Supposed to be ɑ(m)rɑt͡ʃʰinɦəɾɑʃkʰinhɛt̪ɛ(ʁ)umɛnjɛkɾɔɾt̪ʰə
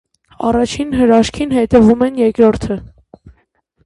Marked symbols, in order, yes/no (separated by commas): no, no